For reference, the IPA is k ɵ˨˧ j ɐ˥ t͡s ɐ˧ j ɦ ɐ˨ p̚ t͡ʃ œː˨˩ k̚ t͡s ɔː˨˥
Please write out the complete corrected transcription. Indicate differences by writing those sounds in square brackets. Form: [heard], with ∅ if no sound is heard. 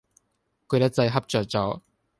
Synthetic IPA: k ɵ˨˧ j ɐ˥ t͡s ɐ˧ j ɦ [ɐ˥] p̚ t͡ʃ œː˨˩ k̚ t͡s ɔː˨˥